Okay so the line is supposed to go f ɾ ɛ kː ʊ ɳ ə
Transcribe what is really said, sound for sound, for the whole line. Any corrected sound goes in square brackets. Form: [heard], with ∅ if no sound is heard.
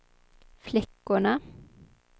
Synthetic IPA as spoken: f [l] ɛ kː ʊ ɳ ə